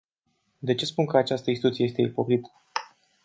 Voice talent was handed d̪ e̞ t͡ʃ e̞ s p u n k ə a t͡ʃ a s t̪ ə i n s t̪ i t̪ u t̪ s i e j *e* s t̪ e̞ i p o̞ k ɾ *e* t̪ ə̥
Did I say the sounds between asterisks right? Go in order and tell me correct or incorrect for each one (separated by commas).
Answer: correct, incorrect